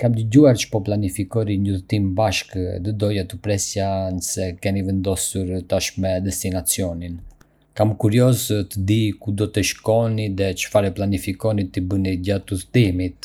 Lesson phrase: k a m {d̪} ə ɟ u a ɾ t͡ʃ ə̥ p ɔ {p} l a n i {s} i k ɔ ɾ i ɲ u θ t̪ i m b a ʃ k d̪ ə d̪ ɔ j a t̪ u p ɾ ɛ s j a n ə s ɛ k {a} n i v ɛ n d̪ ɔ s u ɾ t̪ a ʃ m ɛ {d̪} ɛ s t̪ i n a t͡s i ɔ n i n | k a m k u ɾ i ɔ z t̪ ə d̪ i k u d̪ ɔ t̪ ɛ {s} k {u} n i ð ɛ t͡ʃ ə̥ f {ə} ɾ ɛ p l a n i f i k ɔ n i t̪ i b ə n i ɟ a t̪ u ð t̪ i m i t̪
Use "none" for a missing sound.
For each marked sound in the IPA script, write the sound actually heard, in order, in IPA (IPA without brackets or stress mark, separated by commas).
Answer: d̪, p, f, ɛ, d̪, ʃ, ɔ, a